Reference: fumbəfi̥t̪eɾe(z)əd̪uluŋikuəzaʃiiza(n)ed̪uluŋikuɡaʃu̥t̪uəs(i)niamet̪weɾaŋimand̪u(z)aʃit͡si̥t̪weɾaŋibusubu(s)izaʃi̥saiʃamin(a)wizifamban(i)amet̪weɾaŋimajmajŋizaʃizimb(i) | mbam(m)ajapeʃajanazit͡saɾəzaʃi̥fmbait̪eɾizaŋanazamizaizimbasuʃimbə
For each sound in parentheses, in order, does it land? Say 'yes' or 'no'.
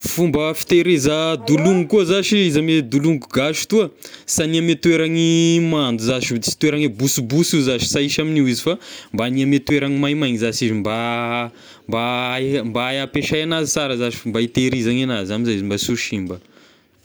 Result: yes, no, no, yes, yes, no, yes, no, no

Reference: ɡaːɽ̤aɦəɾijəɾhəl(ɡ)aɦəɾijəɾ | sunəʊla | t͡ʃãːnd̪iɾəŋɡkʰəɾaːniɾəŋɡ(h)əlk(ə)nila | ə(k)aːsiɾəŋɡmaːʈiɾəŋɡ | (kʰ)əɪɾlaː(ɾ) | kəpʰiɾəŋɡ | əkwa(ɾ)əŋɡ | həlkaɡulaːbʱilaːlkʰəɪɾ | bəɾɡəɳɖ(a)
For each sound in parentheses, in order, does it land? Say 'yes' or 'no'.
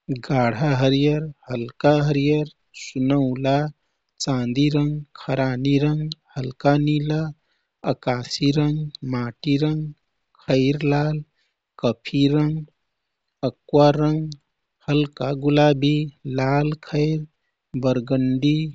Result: no, yes, no, yes, yes, no, yes, no

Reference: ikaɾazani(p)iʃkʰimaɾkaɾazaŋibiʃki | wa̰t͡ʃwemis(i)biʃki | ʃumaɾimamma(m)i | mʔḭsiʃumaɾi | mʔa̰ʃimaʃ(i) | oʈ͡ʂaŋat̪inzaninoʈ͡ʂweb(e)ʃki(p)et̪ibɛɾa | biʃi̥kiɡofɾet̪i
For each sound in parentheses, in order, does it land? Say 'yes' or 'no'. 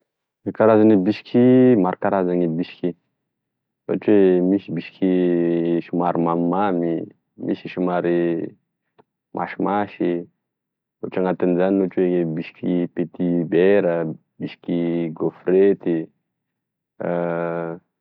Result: no, yes, yes, yes, no, yes

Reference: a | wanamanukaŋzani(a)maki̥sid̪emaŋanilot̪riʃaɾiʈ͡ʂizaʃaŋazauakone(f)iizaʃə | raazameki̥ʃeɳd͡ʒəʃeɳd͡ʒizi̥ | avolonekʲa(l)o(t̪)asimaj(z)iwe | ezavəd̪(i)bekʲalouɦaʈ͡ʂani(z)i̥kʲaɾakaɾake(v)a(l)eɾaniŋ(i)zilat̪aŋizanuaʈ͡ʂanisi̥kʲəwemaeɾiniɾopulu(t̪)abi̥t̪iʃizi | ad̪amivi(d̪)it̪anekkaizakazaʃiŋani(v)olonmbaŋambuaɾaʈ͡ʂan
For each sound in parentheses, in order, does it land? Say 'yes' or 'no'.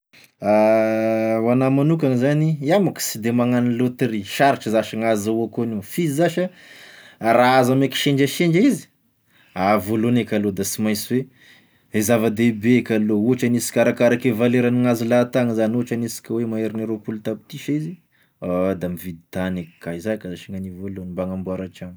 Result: yes, yes, yes, no, no, no, no, yes, yes, no, yes, yes, yes

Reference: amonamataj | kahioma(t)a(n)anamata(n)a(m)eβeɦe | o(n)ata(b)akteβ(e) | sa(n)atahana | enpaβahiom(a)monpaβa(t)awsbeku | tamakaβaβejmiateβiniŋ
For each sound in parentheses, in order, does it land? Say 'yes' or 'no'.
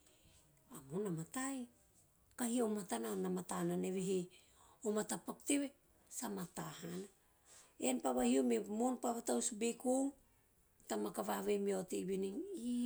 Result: yes, yes, yes, no, no, no, yes, no, no, yes

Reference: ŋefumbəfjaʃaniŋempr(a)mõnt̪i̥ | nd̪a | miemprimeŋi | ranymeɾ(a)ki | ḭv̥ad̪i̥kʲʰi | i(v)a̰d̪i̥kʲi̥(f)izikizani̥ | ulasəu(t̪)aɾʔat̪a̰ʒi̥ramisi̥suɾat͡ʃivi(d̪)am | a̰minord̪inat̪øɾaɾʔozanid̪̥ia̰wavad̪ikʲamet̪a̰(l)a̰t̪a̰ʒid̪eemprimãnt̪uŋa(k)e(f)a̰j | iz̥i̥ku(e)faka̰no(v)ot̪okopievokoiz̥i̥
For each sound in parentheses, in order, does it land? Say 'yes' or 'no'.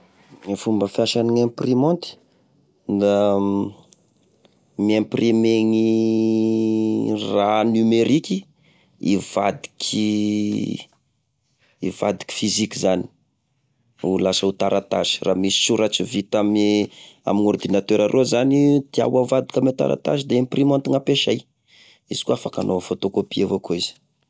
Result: no, no, yes, yes, yes, no, no, no, no, no, no

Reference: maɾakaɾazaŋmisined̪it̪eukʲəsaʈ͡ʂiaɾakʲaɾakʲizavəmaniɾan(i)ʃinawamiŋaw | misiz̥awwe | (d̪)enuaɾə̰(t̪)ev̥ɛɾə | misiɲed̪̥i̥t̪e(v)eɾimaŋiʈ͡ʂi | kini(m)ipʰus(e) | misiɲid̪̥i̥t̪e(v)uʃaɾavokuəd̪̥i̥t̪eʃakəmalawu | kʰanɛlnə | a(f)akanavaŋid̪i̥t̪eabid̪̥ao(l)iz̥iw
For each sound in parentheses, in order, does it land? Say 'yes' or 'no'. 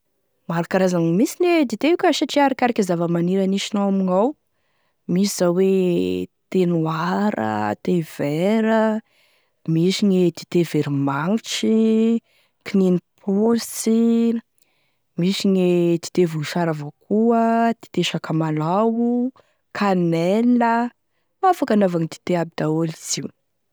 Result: yes, no, yes, yes, no, no, yes, yes, yes

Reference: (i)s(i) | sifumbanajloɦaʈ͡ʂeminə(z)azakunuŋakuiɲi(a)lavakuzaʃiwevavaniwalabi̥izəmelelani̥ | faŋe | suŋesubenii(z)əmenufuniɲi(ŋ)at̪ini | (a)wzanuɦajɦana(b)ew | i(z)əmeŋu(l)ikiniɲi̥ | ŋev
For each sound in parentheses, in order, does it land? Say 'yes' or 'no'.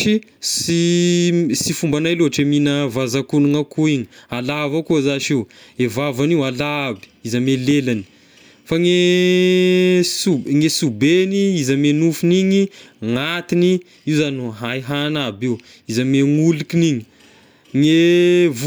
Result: yes, yes, no, yes, yes, yes, no, yes, yes, yes

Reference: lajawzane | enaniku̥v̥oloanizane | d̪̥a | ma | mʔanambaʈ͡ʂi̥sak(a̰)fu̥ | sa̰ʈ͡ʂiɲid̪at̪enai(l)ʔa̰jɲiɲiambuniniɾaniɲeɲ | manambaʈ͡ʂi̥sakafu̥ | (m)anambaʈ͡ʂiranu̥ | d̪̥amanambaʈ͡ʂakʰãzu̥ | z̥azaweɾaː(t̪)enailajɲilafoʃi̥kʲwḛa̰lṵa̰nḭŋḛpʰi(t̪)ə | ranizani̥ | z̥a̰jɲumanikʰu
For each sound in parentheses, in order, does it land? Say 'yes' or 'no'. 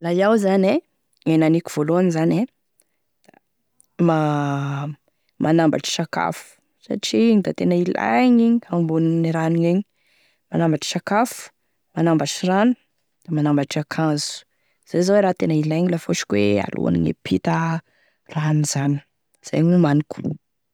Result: yes, yes, yes, yes, yes

